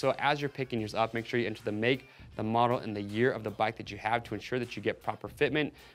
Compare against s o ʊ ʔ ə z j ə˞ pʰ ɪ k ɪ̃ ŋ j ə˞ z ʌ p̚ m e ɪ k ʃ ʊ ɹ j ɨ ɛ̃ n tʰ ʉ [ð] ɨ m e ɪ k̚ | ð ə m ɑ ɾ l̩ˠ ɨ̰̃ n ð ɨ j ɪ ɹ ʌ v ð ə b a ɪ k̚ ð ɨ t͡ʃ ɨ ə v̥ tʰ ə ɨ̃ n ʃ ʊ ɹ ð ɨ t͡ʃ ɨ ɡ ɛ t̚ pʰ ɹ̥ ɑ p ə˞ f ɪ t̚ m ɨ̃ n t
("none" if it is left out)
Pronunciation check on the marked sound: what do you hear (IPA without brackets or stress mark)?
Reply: ð